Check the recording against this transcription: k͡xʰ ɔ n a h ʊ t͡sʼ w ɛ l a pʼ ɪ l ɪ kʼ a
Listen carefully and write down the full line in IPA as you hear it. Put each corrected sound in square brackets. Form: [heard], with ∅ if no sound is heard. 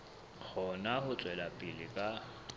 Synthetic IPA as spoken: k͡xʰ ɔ n a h ʊ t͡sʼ w ɛ l a pʼ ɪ l ɪ kʼ a